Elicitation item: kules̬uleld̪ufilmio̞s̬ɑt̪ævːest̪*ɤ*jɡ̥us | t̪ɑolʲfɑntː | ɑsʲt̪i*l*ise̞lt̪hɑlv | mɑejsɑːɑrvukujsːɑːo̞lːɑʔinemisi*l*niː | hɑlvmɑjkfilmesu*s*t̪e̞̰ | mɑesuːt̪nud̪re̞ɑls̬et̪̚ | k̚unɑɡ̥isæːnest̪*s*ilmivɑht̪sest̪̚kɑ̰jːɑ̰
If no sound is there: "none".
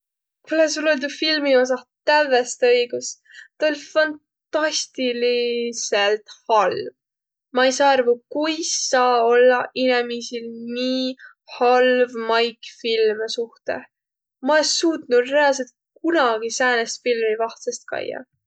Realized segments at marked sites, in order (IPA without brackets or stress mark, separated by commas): ɤ, l, l, h, f